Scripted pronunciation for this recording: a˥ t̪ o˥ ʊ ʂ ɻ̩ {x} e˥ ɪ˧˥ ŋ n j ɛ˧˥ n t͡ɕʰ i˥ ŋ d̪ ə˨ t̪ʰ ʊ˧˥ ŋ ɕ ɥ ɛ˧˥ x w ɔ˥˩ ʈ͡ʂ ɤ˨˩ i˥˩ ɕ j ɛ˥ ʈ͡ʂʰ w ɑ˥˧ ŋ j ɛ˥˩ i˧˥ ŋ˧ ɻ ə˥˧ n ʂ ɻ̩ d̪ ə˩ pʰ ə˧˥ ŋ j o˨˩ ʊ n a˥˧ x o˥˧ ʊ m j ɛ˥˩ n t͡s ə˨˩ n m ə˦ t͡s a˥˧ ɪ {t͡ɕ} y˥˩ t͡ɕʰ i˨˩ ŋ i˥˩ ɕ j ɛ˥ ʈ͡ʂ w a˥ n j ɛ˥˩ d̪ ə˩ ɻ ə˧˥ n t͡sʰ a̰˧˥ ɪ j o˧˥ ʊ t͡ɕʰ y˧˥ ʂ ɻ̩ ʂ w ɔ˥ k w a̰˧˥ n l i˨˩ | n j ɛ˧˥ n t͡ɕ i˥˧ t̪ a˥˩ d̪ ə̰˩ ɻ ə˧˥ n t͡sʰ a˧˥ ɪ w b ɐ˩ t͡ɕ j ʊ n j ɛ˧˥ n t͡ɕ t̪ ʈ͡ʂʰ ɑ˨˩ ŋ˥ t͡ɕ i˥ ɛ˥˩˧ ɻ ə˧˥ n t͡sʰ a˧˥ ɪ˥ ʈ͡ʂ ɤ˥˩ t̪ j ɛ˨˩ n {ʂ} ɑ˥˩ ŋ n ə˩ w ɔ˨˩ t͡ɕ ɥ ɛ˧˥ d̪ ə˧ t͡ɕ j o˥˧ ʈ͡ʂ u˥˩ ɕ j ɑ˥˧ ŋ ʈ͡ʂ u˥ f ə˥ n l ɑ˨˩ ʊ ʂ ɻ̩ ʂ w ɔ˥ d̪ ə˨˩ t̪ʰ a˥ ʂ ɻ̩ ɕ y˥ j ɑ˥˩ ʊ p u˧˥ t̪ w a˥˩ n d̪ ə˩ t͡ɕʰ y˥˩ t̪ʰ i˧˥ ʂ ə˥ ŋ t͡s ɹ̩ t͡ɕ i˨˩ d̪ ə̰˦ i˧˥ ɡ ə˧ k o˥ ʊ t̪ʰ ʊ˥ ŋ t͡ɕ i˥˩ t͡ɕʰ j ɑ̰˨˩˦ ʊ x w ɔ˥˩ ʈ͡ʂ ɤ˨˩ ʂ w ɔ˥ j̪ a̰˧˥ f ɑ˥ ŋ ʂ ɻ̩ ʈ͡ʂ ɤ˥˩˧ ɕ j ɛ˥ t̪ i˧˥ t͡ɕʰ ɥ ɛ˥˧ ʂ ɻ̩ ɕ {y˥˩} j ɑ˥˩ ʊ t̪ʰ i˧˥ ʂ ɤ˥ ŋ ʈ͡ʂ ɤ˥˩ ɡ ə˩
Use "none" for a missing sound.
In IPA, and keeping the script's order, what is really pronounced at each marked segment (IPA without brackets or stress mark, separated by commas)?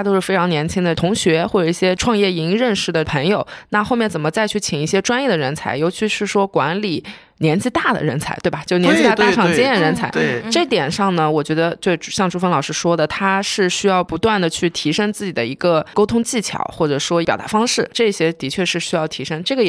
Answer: f, t͡ɕʰ, ʂ, y˥